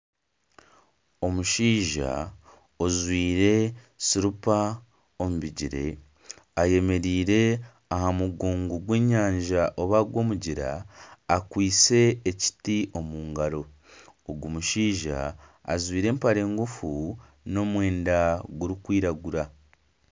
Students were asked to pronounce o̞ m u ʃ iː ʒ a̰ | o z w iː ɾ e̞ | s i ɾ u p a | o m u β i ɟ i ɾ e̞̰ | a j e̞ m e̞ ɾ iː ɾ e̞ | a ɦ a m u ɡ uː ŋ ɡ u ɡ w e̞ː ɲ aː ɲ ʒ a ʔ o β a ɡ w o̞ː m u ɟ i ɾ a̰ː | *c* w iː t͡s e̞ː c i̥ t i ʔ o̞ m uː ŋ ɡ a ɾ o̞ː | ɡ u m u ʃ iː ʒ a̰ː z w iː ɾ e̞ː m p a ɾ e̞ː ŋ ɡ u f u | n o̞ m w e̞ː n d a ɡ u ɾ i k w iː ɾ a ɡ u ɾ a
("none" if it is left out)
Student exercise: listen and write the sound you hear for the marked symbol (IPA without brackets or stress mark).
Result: k